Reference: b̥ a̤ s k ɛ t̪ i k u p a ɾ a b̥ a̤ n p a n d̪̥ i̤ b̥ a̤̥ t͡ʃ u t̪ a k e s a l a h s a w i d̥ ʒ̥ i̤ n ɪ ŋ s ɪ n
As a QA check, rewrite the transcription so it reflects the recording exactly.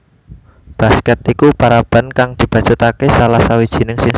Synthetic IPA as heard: b̥ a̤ s k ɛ t̪ i k u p a ɾ a b̥ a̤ n k a ŋ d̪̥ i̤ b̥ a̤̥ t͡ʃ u t̪ a k e s a l a h s a w i d̥ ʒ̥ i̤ n ɪ ŋ s ɪ ŋ